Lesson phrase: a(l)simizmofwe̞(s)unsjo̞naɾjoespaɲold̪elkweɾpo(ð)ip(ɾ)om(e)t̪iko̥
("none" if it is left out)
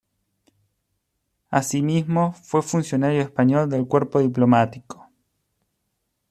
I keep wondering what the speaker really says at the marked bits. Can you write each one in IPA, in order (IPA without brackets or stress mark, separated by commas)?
none, f, ð, l, a